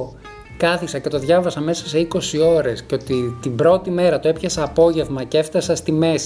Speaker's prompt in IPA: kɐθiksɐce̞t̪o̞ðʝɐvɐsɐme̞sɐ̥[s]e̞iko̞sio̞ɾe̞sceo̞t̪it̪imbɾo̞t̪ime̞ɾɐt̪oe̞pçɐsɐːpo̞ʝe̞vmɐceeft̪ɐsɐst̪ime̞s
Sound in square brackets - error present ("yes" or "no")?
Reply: no